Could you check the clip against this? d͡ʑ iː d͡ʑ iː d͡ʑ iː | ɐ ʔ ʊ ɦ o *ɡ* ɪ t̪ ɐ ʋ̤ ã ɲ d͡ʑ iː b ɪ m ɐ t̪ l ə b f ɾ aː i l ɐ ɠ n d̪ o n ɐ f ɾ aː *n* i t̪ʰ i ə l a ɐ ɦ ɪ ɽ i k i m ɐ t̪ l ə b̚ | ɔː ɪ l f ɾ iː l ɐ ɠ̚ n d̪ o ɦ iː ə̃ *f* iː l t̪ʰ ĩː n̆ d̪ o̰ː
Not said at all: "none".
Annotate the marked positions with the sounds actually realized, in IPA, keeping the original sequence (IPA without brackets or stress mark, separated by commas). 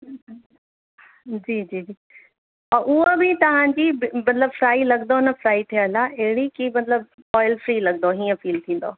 b, none, f